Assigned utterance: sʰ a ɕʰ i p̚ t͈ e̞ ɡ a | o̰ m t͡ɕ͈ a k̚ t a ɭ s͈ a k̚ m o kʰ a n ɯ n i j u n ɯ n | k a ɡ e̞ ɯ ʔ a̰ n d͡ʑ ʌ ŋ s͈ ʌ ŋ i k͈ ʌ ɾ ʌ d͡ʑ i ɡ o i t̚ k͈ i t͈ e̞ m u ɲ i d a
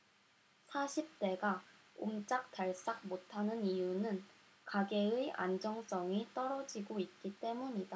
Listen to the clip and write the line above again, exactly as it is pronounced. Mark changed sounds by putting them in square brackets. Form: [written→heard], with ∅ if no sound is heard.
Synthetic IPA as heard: sʰ a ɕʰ i p̚ t͈ e̞ ɡ a | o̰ m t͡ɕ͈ a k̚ t a ɭ s͈ a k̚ m o [kʰ→tʰ] a n ɯ n i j u n ɯ n | k a ɡ e̞ ɯ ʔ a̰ n d͡ʑ ʌ ŋ s͈ ʌ ŋ i [k͈→t͈] ʌ ɾ ʌ d͡ʑ i ɡ o i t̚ k͈ i t͈ e̞ m u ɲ i d a

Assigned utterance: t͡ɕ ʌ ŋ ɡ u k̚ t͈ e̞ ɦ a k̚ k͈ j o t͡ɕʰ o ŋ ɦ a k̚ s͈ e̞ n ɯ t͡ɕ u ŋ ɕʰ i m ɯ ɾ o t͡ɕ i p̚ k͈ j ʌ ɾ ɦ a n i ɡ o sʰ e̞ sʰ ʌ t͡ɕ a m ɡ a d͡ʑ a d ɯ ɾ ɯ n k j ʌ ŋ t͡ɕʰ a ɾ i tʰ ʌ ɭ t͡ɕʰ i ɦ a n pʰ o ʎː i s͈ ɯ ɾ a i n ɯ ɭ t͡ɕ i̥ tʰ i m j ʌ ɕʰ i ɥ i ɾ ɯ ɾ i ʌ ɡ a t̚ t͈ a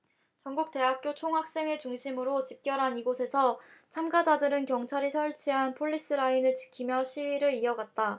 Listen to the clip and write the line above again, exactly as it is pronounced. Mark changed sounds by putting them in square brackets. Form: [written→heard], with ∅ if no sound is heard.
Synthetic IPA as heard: t͡ɕ ʌ ŋ ɡ u k̚ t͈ e̞ ɦ a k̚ k͈ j o t͡ɕʰ o ŋ ɦ a k̚ s͈ e̞ [n→ŋ] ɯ t͡ɕ u ŋ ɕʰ i m ɯ ɾ o t͡ɕ i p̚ k͈ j ʌ ɾ ɦ a n i ɡ o sʰ e̞ sʰ ʌ [t͡ɕ→t͡ɕʰ] a m ɡ a d͡ʑ a d ɯ ɾ ɯ n k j ʌ ŋ t͡ɕʰ a ɾ i [tʰ→sʰ] ʌ ɭ t͡ɕʰ i ɦ a n pʰ o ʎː i s͈ ɯ ɾ a i n ɯ ɭ t͡ɕ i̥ [tʰ→kʰ] i m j ʌ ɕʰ i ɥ i ɾ ɯ ɾ i ʌ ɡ a t̚ t͈ a

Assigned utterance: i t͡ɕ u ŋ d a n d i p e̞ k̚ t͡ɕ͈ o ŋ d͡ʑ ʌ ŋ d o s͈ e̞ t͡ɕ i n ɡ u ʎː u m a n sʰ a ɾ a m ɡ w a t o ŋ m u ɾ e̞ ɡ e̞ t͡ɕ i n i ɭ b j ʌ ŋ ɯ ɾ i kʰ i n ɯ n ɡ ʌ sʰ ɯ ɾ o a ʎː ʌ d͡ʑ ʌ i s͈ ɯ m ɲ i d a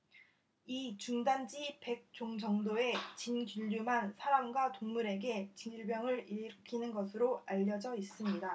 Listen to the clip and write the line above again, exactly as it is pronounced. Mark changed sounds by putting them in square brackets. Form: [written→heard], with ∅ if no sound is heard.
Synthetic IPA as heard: i t͡ɕ u ŋ d a n [d→d͡ʑ] i p e̞ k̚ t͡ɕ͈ o ŋ d͡ʑ ʌ ŋ d o [s͈→∅] e̞ t͡ɕ i n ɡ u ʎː u m a n sʰ a ɾ a m ɡ w a t o ŋ m u ɾ e̞ ɡ e̞ t͡ɕ i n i ɭ b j ʌ ŋ ɯ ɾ i kʰ i n ɯ n ɡ ʌ sʰ ɯ ɾ o a ʎː ʌ d͡ʑ ʌ i s͈ ɯ m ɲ i d a

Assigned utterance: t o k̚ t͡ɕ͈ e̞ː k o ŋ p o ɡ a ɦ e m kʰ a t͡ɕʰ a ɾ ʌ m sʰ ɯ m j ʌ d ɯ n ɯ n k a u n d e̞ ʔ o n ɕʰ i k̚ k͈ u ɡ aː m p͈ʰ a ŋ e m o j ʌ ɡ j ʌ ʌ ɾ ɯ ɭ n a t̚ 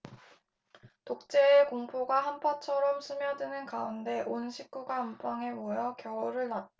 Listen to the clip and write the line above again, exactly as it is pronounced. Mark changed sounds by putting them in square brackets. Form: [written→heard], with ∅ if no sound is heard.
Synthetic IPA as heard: t o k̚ t͡ɕ͈ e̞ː k o ŋ [p→pʰ] o ɡ a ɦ [e→a] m [kʰ→pʰ] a t͡ɕʰ [a→ʌ] ɾ ʌ m sʰ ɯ m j ʌ d ɯ n ɯ n k a u n d e̞ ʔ o n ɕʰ i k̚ k͈ u ɡ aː m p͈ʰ a ŋ e m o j ʌ [ɡ→k] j ʌ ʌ ɾ ɯ ɭ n a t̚

